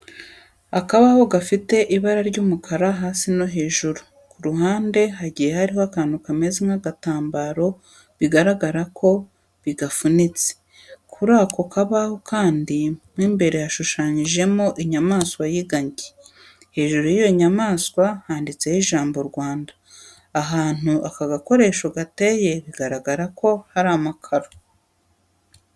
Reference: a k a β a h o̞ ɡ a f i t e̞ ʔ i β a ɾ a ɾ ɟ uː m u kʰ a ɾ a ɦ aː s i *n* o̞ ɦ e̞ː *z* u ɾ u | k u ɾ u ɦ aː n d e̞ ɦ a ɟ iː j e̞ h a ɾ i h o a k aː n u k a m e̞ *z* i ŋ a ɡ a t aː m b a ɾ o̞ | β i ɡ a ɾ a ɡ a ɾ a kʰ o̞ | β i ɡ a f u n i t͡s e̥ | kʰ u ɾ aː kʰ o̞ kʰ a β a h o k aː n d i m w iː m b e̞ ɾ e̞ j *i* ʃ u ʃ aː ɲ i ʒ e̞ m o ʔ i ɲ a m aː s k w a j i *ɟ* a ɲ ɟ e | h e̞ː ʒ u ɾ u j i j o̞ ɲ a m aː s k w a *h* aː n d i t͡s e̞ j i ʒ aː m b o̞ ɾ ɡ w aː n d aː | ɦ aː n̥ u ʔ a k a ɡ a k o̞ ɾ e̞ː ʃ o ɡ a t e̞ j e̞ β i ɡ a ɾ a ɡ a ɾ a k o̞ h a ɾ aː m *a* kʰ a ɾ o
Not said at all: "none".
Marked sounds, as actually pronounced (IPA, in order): n, ʒ, z, a, ɡ, h, a

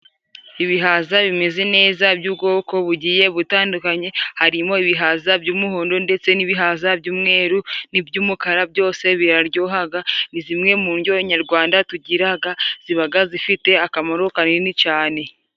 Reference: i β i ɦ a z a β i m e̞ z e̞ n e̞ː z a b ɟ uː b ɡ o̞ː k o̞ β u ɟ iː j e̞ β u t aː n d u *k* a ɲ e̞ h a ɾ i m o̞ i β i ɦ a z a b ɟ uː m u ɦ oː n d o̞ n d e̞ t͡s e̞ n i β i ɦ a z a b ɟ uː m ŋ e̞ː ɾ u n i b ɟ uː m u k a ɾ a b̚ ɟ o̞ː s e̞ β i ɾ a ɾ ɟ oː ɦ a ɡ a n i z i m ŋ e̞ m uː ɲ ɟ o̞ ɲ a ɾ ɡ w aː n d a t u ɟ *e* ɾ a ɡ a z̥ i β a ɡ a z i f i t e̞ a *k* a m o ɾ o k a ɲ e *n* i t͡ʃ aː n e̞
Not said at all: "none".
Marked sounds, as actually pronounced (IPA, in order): k, i, k, n

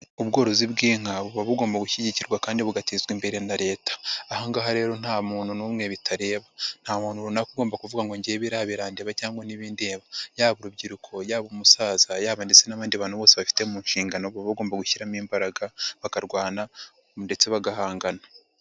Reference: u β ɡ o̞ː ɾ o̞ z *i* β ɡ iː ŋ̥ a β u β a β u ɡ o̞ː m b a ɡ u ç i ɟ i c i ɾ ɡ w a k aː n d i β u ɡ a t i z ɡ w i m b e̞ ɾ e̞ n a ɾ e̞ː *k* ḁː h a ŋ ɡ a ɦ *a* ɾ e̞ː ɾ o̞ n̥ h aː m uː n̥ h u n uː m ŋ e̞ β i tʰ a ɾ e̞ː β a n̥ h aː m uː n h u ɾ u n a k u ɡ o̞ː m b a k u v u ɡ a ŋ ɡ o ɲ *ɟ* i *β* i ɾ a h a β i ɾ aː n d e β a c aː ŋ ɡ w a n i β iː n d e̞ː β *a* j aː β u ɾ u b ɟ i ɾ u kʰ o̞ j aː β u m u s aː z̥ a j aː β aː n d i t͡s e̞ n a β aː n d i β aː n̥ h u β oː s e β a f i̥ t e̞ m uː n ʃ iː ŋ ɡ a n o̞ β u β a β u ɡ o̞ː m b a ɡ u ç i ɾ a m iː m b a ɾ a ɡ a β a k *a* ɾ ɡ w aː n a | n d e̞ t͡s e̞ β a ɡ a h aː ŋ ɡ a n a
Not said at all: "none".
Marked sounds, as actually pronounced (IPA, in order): i, t, a, ɟ, β, a, a

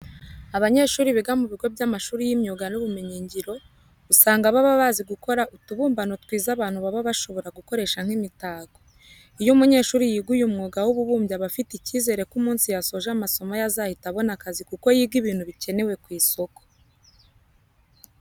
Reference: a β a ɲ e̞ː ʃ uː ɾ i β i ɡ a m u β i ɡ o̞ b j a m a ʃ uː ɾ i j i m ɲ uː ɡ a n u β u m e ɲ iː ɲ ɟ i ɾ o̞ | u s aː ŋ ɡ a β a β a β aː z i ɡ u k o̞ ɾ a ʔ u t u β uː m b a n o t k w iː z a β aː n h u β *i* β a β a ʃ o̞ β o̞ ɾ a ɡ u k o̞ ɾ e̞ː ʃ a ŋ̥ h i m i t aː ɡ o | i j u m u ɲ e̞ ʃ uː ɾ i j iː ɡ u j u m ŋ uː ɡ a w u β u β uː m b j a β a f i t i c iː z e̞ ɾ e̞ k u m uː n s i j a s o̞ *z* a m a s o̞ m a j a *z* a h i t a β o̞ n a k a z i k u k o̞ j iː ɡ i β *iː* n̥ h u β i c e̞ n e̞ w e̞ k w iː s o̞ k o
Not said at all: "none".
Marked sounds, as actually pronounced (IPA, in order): a, ʒ, z, iː

